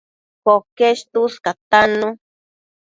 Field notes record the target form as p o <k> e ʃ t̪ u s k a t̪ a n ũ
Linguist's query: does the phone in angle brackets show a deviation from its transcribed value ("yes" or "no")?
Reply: no